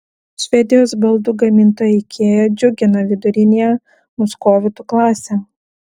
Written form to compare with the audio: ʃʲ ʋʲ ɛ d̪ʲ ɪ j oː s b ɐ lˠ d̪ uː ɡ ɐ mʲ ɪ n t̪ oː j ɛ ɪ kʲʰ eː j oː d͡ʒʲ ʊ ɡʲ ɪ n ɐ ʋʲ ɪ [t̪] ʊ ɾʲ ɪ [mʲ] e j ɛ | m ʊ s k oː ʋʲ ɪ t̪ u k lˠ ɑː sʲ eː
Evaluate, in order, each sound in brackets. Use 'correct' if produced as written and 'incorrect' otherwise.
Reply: incorrect, incorrect

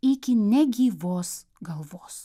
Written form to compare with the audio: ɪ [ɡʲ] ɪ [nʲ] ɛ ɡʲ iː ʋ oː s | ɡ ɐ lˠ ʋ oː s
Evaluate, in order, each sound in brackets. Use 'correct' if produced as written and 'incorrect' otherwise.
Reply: incorrect, correct

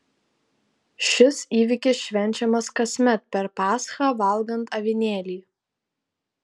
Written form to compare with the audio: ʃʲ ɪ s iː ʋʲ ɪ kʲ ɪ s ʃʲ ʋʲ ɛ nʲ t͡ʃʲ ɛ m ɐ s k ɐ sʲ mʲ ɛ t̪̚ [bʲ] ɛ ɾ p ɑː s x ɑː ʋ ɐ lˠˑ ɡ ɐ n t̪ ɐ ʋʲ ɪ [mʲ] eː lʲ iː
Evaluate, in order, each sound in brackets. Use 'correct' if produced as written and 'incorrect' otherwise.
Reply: incorrect, incorrect

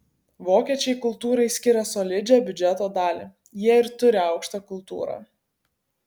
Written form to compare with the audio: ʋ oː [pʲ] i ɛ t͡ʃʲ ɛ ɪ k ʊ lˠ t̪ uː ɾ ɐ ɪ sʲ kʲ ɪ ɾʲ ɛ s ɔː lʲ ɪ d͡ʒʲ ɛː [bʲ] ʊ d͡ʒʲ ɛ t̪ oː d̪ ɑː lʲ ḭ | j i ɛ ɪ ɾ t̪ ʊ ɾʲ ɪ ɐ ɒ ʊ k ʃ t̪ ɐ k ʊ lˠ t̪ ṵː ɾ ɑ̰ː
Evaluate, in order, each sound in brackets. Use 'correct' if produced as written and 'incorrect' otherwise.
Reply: incorrect, correct

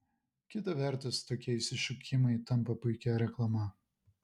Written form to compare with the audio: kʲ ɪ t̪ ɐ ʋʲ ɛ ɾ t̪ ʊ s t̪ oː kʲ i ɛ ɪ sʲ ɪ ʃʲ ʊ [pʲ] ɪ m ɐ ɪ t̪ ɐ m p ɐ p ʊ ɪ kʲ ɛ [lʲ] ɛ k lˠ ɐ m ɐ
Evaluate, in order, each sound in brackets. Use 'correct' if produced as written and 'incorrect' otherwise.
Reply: incorrect, incorrect

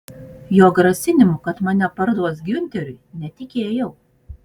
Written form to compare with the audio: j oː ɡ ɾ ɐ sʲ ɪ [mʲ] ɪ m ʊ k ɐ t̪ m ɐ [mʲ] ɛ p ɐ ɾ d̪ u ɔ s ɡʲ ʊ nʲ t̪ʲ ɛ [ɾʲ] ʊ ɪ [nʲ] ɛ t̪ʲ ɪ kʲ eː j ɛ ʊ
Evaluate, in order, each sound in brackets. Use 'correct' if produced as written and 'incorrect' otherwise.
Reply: incorrect, incorrect, correct, correct

